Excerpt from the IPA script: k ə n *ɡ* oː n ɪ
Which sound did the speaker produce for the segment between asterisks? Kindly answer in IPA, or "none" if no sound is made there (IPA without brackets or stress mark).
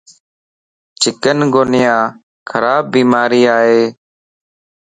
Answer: ɡ